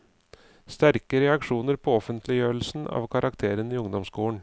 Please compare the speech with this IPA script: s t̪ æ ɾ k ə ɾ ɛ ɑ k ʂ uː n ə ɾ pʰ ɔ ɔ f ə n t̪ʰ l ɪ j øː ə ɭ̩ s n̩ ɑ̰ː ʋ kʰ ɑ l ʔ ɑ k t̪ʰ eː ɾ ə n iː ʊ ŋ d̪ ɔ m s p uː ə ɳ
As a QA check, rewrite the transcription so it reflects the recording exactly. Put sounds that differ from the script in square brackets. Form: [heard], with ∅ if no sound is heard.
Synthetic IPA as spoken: s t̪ æ ɾ k ə ɾ ɛ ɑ k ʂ uː n ə ɾ pʰ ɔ ɔ f ə n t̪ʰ l ɪ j øː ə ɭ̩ s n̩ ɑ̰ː ʋ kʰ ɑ [ɾ] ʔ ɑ k t̪ʰ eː ɾ ə n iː ʊ ŋ d̪ ɔ m s [k] uː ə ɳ